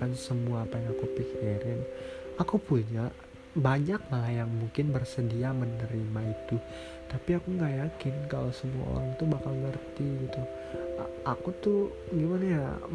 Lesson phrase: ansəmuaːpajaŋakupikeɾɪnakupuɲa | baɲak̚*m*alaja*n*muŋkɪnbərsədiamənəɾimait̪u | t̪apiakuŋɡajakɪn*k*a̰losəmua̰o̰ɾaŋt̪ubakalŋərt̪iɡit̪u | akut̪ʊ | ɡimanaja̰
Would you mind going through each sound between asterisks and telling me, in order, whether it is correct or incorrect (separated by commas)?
correct, incorrect, correct